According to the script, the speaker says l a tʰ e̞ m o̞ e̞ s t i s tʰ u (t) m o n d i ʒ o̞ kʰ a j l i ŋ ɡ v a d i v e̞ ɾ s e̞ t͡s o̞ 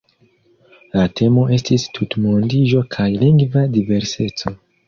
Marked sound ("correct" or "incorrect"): correct